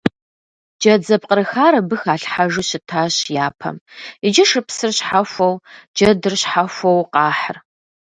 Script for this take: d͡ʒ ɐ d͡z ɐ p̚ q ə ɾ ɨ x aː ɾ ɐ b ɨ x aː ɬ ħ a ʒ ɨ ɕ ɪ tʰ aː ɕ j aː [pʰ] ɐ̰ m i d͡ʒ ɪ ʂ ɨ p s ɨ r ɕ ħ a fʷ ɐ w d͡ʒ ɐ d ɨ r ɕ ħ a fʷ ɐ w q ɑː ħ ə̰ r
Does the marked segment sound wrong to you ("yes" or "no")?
no